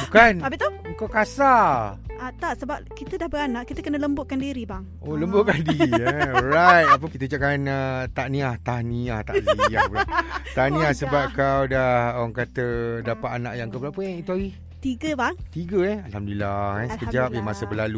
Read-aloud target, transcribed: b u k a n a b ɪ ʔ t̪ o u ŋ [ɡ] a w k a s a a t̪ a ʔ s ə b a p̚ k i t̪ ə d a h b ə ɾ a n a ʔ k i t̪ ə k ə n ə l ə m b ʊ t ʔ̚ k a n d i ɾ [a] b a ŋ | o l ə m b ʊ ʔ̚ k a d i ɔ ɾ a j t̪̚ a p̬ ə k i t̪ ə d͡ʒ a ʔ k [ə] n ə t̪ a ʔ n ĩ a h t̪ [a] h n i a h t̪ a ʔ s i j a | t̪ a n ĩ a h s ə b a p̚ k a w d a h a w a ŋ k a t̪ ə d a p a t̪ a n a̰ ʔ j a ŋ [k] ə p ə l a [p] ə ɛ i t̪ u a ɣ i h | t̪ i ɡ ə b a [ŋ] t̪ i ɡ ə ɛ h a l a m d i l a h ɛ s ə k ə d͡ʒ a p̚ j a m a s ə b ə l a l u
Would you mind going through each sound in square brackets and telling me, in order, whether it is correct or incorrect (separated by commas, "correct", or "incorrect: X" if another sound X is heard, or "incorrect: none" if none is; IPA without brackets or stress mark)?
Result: incorrect: k, incorrect: i, incorrect: a, correct, correct, correct, correct